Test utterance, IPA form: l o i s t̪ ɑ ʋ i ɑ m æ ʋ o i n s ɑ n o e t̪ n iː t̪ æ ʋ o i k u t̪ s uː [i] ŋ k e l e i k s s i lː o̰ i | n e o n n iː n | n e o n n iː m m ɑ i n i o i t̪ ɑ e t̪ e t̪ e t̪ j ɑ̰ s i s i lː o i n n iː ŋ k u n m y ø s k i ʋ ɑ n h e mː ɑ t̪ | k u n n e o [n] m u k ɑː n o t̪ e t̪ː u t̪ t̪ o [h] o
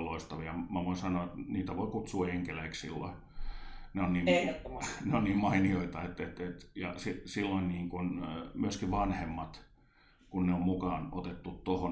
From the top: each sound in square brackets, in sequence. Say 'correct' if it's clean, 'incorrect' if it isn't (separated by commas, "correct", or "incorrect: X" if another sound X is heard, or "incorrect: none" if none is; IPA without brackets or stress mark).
incorrect: e, incorrect: m, correct